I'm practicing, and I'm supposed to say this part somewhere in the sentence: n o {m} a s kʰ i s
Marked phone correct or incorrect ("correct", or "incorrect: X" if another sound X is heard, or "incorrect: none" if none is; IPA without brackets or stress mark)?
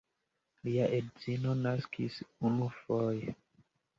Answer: incorrect: n